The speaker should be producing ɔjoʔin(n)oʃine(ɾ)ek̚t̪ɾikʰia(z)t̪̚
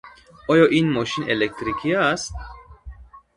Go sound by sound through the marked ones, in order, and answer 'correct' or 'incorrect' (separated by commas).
incorrect, incorrect, incorrect